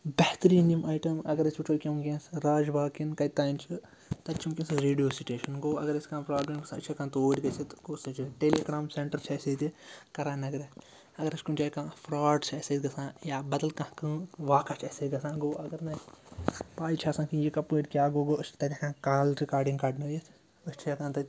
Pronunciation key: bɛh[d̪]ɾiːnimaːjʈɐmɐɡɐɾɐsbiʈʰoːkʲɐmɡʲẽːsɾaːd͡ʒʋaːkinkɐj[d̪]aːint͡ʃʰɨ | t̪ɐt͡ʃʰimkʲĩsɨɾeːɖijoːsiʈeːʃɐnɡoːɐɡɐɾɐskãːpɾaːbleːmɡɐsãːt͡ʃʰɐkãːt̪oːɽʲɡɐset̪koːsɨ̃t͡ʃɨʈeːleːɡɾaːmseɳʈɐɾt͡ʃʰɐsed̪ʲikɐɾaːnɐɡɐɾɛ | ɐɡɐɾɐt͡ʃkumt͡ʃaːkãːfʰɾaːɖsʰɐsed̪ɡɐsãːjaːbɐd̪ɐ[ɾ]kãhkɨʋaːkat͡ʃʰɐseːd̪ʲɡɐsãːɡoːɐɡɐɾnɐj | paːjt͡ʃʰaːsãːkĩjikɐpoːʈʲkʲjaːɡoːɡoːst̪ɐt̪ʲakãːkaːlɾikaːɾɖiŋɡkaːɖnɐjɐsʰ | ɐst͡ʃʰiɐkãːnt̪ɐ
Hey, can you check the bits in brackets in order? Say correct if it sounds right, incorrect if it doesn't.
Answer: incorrect: t̪, incorrect: t̪, incorrect: l

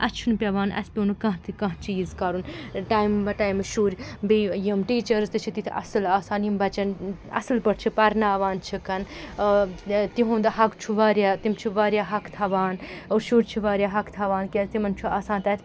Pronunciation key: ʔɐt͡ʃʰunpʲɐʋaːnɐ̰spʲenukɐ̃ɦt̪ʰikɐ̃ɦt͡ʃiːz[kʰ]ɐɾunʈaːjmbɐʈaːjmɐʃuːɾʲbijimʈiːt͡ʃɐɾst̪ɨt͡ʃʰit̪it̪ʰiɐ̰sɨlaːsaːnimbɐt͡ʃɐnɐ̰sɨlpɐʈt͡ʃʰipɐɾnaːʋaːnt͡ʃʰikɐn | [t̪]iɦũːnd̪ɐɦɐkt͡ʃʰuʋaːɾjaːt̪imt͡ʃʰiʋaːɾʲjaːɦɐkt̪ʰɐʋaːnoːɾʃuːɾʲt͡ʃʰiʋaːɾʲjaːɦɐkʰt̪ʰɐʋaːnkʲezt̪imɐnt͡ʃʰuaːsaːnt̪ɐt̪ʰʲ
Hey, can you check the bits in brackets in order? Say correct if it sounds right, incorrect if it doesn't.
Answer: incorrect: k, correct

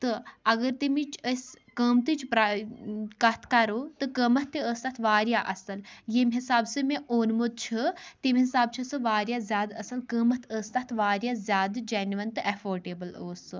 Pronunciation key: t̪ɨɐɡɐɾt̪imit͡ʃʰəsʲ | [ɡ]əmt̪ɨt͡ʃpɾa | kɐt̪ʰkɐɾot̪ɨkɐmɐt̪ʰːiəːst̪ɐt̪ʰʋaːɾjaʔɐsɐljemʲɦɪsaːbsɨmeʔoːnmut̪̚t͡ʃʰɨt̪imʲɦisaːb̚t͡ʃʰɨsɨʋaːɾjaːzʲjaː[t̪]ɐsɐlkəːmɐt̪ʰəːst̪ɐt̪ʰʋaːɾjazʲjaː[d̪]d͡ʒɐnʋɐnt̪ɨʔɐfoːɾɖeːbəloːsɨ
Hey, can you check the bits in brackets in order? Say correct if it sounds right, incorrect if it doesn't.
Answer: incorrect: k, incorrect: d̪, correct

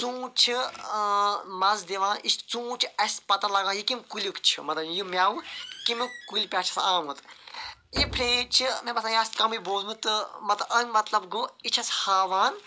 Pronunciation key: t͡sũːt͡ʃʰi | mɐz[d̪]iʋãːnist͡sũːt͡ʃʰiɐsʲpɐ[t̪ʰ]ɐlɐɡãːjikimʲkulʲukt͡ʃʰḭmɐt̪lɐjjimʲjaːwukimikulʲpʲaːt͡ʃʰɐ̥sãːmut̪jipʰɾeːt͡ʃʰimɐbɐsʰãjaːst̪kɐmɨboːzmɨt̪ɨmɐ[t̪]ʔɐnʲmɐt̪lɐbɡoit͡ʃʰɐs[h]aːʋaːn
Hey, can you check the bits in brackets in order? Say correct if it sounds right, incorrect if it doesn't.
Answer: correct, incorrect: t̪, correct, correct

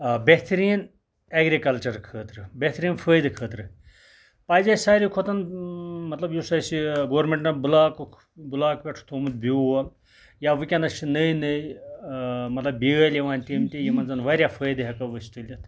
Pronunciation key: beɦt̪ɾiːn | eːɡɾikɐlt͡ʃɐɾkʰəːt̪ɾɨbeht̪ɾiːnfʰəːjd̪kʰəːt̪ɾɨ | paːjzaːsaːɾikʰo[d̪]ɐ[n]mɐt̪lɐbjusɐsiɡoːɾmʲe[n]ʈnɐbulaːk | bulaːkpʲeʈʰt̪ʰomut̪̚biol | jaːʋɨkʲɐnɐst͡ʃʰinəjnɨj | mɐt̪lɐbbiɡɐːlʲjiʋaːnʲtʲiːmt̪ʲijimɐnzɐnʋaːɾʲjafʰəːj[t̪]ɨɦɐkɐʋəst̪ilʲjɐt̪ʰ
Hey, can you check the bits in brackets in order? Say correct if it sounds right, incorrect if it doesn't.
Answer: incorrect: t̪, correct, incorrect: ɳ, incorrect: d̪

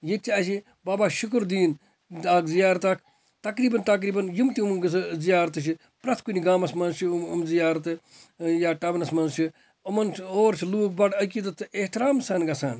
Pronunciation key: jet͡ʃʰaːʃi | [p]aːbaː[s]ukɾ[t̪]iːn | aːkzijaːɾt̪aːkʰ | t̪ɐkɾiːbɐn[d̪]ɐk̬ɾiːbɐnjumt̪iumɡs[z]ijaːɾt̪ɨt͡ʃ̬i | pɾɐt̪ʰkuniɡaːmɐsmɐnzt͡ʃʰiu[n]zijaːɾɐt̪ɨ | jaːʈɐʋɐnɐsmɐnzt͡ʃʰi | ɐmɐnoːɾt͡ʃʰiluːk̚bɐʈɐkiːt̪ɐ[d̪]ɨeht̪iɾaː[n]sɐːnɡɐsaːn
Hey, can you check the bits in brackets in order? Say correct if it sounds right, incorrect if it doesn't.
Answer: incorrect: b, incorrect: ʃ, incorrect: d̪, incorrect: t̪, correct, incorrect: m, incorrect: t̪, incorrect: m

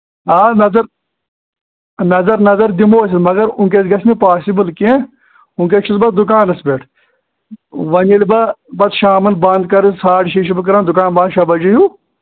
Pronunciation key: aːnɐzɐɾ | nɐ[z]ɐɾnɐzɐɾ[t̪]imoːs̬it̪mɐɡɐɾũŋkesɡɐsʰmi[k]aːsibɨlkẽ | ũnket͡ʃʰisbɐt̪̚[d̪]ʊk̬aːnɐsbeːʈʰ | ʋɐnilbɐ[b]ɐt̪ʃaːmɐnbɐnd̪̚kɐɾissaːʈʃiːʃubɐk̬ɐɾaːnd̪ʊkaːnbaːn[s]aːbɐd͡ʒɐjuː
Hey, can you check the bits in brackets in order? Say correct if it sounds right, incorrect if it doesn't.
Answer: correct, incorrect: d̪, incorrect: p, correct, correct, incorrect: ʃ

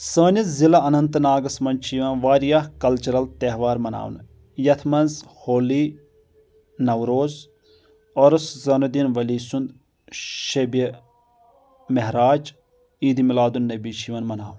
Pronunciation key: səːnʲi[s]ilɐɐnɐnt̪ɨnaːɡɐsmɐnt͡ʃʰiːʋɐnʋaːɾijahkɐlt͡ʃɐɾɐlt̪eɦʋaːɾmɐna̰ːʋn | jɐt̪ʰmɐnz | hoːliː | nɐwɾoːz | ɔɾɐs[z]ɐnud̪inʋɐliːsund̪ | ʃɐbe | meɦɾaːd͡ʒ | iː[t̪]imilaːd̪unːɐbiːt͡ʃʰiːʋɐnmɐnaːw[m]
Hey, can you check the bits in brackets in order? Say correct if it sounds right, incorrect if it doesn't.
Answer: incorrect: z, correct, incorrect: d̪, incorrect: n

